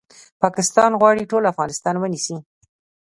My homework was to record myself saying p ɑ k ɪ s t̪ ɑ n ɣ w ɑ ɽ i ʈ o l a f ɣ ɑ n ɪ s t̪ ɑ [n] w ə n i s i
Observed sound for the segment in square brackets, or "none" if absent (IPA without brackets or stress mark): n